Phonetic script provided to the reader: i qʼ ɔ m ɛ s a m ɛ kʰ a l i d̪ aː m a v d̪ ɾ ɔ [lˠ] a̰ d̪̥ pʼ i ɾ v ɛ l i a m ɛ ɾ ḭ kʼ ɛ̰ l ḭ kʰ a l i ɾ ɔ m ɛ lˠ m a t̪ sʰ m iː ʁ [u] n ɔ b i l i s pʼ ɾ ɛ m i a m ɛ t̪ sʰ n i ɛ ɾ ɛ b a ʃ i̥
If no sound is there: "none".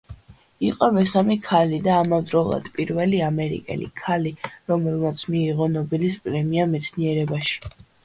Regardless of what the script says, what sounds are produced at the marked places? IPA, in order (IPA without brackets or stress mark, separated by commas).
lˠ, ɔ